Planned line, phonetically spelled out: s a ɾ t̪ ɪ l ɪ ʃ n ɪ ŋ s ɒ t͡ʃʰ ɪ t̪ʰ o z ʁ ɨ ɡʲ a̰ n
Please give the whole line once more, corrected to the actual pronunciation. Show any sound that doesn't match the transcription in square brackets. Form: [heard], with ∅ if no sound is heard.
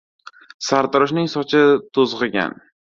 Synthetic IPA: s a ɾ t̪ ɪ [ɾ] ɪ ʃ n ɪ ŋ s ɒ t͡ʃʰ ɪ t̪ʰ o z ʁ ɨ ɡʲ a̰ n